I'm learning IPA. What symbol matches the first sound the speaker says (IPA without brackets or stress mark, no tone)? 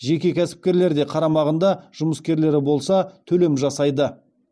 ʒ